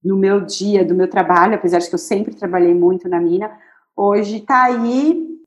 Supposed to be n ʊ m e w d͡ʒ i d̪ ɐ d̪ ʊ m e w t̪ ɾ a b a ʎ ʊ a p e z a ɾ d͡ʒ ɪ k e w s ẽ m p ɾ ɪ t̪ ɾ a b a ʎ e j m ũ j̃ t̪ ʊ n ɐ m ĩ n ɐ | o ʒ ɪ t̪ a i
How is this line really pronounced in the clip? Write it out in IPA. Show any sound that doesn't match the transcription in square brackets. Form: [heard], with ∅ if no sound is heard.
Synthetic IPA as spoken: n ʊ m e w d͡ʒ i [∅] ɐ d̪ ʊ m e w t̪ ɾ a b a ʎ ʊ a p e z a ɾ d͡ʒ ɪ k e w s ẽ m p ɾ ɪ t̪ ɾ a b a ʎ e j m ũ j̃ t̪ ʊ n ɐ m ĩ n ɐ | o ʒ ɪ t̪ a i